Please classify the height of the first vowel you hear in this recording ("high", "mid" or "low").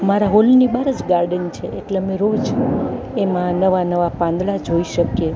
low